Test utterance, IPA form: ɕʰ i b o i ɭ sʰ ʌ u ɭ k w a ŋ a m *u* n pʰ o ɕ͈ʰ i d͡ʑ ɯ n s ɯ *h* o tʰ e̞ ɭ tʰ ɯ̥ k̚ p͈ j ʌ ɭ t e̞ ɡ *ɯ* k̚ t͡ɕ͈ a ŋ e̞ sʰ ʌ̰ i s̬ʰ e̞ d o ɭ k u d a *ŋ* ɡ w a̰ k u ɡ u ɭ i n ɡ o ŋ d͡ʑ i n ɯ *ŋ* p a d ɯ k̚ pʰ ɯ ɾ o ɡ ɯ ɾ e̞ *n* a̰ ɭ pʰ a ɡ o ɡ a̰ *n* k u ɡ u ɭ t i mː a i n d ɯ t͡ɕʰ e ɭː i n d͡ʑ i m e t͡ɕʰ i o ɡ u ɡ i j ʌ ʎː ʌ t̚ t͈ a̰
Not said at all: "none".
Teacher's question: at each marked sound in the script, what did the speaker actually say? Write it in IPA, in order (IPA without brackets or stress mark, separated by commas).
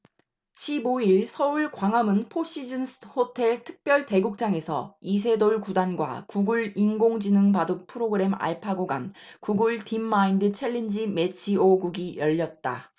ɯ, h, u, n, ŋ, m, n